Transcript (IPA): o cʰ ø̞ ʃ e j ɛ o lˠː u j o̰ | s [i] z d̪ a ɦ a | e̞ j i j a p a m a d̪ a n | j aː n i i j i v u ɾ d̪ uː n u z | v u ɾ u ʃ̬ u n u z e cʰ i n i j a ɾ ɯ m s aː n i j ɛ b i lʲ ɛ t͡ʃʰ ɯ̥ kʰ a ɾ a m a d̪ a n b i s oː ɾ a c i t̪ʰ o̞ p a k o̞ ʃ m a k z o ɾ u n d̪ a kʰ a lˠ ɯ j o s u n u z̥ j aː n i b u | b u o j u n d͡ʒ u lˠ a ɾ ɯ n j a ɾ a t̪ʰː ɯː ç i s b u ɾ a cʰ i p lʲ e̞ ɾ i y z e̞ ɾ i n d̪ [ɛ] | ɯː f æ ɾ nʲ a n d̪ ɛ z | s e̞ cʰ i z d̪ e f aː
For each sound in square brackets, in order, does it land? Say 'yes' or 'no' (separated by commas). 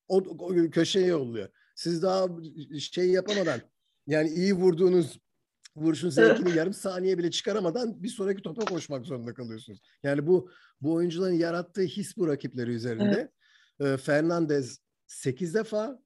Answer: yes, yes